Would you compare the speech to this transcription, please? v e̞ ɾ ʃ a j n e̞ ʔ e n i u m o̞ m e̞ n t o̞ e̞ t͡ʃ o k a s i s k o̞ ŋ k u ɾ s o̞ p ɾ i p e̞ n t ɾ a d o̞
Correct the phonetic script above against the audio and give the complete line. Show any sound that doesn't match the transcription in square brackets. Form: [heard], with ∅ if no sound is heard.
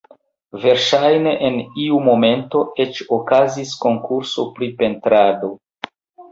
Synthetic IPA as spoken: v e̞ ɾ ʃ a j n e̞ ʔ e n i u m o̞ m e̞ n t o̞ e̞ t͡ʃ o k a [z] i s k o̞ ŋ k u ɾ s o̞ p ɾ i p e̞ n t ɾ a d o̞